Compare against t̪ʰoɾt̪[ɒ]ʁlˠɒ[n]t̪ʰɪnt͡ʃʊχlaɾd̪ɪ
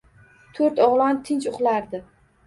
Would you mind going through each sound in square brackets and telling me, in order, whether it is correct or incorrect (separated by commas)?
correct, correct